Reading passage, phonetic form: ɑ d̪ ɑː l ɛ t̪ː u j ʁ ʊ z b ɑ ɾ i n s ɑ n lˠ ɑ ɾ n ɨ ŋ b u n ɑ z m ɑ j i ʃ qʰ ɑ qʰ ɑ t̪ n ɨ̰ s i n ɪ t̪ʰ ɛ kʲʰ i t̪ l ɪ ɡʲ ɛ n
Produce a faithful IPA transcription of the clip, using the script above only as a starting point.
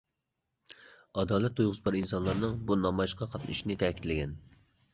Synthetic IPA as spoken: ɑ d̪ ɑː l ɛ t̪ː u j ʁ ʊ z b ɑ ɾ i n s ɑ n lˠ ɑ ɾ n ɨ ŋ b u n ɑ m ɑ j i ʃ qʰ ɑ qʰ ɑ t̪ n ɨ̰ ʃ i n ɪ t̪ʰ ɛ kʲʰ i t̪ l ɪ ɡʲ ɛ n